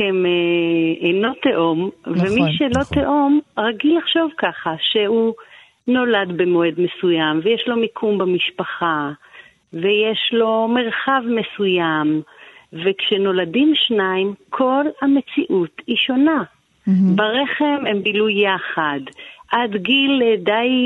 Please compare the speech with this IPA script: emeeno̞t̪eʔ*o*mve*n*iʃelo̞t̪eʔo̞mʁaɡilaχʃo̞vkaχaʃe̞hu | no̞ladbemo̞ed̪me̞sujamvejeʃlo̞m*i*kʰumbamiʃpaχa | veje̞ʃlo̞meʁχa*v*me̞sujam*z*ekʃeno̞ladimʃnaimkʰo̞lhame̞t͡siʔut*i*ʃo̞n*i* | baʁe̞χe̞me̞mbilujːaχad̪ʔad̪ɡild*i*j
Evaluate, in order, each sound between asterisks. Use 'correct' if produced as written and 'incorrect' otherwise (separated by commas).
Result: correct, incorrect, correct, correct, incorrect, correct, incorrect, incorrect